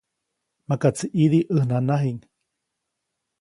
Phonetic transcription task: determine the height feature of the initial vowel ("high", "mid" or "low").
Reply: low